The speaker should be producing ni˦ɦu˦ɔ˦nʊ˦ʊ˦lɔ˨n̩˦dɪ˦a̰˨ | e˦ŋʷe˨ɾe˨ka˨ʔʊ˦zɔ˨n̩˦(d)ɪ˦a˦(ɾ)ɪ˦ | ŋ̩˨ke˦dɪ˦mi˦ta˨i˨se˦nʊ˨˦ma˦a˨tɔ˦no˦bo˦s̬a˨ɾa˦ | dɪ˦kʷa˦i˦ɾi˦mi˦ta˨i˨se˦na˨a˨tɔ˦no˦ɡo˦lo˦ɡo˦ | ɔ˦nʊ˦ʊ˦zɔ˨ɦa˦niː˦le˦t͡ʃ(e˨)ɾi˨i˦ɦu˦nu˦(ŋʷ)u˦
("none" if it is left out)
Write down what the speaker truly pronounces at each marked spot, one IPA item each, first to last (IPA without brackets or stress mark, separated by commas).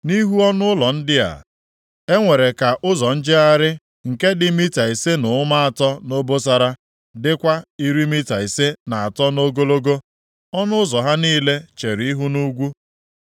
d͡ʒ, ɾ, e˨, ɡʷ